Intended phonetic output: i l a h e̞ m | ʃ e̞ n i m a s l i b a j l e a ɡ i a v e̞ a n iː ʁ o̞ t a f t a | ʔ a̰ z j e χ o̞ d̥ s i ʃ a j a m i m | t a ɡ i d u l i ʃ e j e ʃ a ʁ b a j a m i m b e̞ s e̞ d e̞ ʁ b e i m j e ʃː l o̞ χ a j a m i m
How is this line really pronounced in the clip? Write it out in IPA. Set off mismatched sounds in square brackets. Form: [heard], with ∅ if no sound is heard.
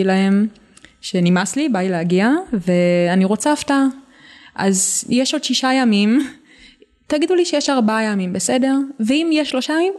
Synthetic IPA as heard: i l a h e̞ m | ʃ e̞ n i m a s l i b a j l e a ɡ i a v e̞ a n [i] ʁ o̞ [t͡s] a f t a | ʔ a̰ z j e [ʃ] o̞ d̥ [ʃ] i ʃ a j a m i m | t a ɡ i d u l i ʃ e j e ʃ a ʁ b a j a m i m b e̞ s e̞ d e̞ ʁ [v] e i m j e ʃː l o̞ [ʃ] a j a m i m